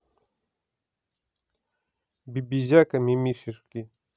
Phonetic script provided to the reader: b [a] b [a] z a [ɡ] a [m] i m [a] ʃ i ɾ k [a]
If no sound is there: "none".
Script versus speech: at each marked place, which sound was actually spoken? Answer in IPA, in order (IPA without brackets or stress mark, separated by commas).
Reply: i, i, k, m, i, i